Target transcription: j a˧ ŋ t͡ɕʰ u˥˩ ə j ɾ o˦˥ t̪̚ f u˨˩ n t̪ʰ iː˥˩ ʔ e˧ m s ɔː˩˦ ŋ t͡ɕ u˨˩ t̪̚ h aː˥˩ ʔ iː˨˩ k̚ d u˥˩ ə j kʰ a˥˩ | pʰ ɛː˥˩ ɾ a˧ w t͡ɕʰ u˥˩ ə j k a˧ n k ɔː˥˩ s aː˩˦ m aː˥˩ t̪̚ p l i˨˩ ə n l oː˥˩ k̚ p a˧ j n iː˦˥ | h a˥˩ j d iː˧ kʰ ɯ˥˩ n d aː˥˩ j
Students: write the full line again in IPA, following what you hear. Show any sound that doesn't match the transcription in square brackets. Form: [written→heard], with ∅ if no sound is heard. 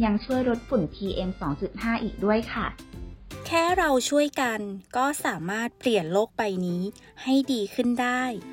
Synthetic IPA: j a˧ ŋ t͡ɕʰ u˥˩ ə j ɾ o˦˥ t̪̚ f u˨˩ n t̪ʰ [iː˥˩→iː˧] ʔ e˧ m s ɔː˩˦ ŋ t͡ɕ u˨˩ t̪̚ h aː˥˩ ʔ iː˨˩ k̚ d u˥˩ ə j kʰ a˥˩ | [pʰ→kʰ] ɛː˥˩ ɾ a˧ w t͡ɕʰ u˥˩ ə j k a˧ n k ɔː˥˩ s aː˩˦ m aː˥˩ t̪̚ p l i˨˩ ə n l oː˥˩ k̚ p a˧ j n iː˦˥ | h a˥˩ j d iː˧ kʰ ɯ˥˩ n d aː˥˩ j